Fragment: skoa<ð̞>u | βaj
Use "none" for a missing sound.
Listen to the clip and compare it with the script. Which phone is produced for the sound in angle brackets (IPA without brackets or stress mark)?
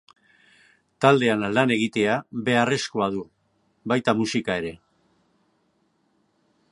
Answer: ð̞